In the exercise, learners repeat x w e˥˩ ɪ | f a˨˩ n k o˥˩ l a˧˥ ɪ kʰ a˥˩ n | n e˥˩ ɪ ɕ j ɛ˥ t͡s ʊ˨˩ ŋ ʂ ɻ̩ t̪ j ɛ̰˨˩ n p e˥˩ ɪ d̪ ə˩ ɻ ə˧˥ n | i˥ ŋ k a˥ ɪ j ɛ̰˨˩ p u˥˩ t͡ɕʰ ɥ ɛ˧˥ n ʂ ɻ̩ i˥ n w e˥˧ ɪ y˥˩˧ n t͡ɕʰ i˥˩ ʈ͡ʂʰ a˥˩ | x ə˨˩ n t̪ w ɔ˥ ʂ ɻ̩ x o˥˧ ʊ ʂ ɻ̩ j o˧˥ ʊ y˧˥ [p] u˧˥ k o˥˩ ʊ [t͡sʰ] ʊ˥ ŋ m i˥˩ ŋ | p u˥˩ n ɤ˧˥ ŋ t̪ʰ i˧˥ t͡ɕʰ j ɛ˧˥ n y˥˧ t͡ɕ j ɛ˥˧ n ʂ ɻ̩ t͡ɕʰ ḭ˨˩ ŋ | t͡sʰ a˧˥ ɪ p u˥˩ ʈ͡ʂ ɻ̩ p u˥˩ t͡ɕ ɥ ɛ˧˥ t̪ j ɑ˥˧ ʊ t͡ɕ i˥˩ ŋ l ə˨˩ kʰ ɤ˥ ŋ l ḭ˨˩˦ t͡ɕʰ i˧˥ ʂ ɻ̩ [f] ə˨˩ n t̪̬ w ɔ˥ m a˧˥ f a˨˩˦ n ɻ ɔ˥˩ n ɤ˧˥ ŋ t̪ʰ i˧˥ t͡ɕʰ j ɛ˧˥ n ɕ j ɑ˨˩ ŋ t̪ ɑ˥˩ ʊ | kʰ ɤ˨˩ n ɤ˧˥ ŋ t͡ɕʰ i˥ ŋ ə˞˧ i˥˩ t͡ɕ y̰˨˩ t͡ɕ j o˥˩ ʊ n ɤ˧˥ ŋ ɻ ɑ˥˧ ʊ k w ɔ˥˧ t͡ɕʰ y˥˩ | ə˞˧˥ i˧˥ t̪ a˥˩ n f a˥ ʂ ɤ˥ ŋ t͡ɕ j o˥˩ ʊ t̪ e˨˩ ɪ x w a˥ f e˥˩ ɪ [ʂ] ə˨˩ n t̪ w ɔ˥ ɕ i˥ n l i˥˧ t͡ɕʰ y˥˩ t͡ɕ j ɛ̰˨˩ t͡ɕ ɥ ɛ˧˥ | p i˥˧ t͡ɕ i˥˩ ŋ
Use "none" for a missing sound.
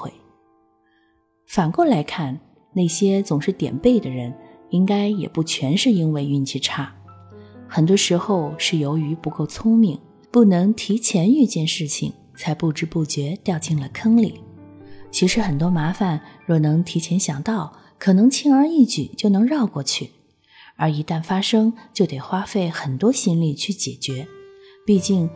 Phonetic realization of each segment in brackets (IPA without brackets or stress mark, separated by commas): p, t͡sʰ, x, x